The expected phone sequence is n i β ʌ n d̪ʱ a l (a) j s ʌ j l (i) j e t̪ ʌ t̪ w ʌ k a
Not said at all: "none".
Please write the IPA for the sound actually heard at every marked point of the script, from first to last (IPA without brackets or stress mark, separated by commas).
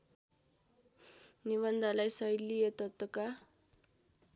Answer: a, i